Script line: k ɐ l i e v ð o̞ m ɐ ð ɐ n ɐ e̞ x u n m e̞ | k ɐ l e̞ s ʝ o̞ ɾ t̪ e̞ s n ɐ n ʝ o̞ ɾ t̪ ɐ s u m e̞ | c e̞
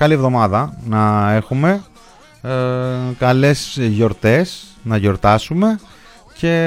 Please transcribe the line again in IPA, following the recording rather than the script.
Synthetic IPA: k ɐ l i e v ð o̞ m ɐ ð ɐ n ɐ e̞ x u m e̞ | k ɐ l e̞ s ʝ o̞ ɾ t̪ e̞ s n ɐ ʝ o̞ ɾ t̪ ɐ s u m e̞ | c e̞